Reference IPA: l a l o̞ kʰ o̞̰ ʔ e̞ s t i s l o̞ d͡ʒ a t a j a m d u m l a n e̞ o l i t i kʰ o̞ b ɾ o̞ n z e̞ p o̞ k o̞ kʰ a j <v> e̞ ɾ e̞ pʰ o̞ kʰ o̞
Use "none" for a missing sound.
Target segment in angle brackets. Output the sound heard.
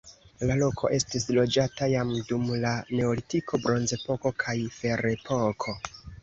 f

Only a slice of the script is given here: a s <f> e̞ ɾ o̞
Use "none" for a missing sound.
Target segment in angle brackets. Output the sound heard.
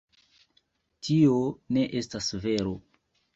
v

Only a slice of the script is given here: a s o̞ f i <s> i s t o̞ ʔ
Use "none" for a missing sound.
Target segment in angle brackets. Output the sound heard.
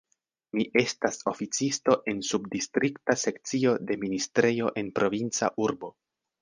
t͡s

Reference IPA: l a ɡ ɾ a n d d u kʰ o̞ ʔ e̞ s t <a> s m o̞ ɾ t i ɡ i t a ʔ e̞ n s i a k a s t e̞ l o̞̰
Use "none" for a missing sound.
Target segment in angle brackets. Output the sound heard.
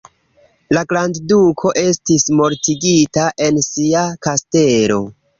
i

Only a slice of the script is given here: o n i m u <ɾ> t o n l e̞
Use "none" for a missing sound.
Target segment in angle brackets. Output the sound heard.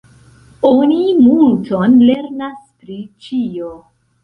l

